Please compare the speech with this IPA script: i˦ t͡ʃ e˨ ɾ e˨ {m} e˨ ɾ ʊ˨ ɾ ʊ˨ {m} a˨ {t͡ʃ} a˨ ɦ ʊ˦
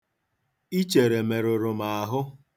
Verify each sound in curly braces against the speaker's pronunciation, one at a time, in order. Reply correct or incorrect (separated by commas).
correct, correct, incorrect